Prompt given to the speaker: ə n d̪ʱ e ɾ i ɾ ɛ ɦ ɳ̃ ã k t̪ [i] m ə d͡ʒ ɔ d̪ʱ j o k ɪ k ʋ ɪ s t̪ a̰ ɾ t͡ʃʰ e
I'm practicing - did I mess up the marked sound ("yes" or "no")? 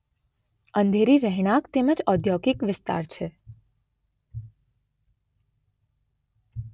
yes